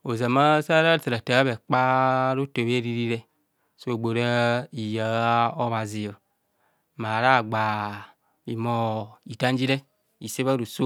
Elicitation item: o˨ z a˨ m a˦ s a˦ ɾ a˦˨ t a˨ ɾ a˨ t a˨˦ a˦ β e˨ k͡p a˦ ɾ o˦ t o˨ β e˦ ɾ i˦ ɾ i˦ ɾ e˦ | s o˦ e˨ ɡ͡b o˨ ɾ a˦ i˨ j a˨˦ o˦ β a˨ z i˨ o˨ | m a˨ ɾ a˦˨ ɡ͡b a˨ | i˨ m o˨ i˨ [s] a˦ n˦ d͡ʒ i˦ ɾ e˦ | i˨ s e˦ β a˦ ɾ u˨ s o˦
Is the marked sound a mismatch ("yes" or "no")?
yes